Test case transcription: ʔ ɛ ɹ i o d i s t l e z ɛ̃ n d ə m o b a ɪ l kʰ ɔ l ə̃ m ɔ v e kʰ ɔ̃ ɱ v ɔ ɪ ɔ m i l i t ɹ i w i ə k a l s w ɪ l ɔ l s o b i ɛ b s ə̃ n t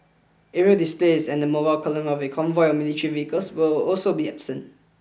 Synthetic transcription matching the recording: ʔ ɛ ɹ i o d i s p l e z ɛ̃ n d ə m o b a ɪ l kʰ ɔ l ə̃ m ɔ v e kʰ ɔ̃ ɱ v ɔ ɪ ɔ m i l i t ɹ i v i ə k ə l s w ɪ l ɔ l s o b i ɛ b s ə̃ n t